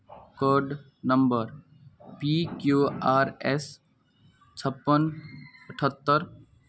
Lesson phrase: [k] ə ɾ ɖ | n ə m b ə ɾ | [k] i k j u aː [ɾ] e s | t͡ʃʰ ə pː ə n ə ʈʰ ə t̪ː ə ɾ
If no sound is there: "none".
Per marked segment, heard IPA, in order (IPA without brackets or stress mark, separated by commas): k, p, ɾ